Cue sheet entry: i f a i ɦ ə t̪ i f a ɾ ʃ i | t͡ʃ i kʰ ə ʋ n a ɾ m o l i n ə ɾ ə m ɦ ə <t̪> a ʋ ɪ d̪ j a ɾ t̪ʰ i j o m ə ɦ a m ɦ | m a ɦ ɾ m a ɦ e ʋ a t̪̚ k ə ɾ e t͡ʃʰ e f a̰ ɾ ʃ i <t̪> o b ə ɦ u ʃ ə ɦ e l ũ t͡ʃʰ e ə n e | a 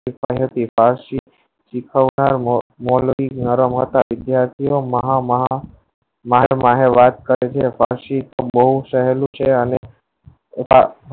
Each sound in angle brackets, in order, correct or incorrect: correct, correct

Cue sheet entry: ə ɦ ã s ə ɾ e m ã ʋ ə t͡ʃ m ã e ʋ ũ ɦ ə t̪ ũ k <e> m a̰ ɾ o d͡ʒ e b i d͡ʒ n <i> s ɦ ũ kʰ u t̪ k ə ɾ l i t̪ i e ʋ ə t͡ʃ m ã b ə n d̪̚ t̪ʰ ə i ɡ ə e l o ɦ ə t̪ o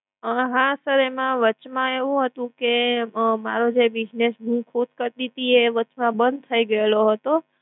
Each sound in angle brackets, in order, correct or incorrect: correct, incorrect: e

